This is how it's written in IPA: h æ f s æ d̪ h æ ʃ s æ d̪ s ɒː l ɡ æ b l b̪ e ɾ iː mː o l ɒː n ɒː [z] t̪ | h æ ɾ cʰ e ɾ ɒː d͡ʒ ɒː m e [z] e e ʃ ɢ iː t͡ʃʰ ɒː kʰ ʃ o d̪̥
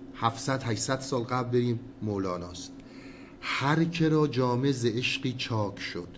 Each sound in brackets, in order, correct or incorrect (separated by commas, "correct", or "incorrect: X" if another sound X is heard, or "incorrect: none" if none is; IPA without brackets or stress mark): incorrect: s, correct